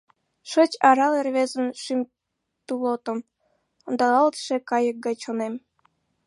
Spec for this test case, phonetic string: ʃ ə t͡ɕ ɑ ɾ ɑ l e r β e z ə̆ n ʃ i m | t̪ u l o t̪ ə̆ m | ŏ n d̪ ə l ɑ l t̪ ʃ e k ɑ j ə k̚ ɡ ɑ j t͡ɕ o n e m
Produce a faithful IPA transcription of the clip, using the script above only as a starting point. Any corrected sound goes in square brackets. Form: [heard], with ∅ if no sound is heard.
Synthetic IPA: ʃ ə t͡ɕ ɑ ɾ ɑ l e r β e z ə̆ n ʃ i m | t̪ u l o t̪ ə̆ m | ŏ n d̪ [ɑ] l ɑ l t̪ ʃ e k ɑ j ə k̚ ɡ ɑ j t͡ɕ o n e m